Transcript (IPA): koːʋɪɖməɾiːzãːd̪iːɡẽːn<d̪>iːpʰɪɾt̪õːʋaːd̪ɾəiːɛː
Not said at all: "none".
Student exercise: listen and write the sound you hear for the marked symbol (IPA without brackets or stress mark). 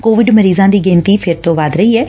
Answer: t̪